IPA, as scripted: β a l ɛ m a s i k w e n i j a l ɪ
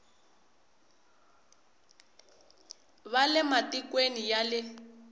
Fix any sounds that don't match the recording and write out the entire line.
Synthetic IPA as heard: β a l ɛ m a t i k w e n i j a l ɪ

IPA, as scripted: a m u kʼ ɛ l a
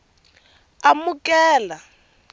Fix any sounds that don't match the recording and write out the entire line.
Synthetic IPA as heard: a m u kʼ ɛː l a

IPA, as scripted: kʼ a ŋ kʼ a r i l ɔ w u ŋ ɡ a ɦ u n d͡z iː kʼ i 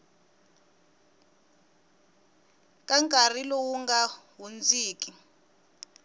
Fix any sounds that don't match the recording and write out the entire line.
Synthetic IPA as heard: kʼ a ŋ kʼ a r i l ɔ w u ŋ ɡ a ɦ u n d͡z iː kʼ i

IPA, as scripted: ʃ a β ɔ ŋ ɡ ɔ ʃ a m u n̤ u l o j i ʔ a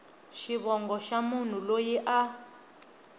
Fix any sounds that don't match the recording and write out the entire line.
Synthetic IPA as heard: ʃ i β ɔ ŋ ɡ ɔ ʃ a m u n̤ u l o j i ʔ a

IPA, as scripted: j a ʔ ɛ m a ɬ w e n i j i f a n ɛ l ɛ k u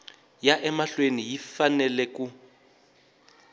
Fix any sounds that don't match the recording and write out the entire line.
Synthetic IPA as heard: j a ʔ ɛ m a ɬ w e n i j i f a n ɛ l ɛ k u

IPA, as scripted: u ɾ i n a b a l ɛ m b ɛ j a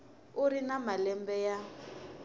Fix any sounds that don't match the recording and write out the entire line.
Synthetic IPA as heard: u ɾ i n a m a l ɛ m b ɛ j a

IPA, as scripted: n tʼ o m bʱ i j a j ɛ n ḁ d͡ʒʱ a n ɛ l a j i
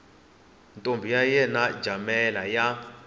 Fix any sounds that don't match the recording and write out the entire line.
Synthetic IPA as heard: n tʼ o m bʱ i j a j ɛ n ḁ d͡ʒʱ a m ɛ l a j a

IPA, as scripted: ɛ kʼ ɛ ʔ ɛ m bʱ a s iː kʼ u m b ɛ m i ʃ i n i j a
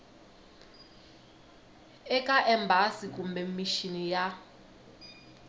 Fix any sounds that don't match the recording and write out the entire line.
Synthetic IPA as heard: ɛ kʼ a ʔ ɛ m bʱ a s i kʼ u m b ɛ m i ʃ i n i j a

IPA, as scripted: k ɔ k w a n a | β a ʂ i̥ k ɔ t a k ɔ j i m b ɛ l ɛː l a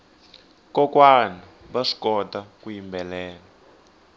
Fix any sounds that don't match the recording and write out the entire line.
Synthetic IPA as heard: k ɔ k w a n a | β a ʂ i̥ k ɔ t a k u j i m b ɛ l ɛː l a

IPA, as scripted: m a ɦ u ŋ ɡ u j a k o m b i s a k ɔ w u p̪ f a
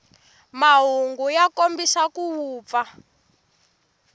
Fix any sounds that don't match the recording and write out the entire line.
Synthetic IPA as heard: m a ɦ u ŋ ɡ u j a k o m b i s a k u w uː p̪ f a

